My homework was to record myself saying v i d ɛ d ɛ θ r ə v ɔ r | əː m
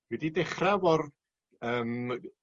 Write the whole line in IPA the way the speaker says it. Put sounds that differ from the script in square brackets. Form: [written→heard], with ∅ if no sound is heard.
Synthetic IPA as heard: [v→w] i d [ɛ→i] d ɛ [θ→χ] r [ə→a] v ɔ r | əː m